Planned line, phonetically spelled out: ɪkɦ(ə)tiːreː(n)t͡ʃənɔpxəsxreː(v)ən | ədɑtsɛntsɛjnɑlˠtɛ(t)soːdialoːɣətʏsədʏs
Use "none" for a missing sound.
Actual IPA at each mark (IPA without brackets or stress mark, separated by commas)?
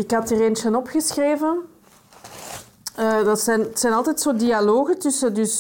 ɑ, n, v, t